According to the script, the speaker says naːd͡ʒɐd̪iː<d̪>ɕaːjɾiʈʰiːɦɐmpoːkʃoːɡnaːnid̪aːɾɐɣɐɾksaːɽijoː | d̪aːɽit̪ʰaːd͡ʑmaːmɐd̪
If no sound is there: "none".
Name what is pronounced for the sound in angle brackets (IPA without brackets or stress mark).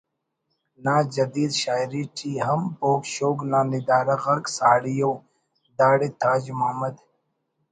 d̪